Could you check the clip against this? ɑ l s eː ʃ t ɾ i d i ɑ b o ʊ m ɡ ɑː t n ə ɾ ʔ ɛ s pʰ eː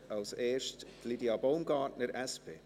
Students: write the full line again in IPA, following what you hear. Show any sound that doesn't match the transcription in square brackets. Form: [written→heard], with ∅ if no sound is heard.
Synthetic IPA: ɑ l s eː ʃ t [ɾ→l] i d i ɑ b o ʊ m ɡ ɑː t n ə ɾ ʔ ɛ s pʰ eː